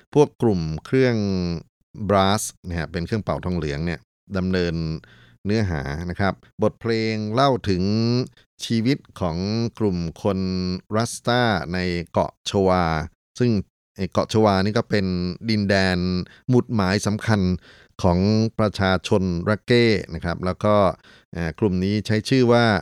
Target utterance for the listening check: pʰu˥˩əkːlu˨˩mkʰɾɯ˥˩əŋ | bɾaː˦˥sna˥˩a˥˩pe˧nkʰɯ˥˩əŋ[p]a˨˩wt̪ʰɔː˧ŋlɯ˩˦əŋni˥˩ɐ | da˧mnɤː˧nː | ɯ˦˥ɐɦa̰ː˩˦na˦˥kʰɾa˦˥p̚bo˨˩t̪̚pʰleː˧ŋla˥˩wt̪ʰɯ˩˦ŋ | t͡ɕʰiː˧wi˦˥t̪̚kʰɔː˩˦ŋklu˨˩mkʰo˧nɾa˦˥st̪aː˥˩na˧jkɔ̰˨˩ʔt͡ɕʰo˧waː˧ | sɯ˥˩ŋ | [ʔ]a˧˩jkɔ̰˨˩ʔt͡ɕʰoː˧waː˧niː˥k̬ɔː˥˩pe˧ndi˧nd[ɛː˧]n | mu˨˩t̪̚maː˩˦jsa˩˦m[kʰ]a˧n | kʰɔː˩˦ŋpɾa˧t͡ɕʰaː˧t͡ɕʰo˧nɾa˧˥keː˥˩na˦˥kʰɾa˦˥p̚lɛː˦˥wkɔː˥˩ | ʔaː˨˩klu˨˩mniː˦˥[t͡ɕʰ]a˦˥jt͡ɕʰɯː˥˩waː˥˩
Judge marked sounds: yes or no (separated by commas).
yes, yes, yes, yes, yes